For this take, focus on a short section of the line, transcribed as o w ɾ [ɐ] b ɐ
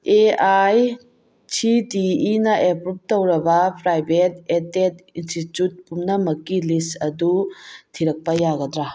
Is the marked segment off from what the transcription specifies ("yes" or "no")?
no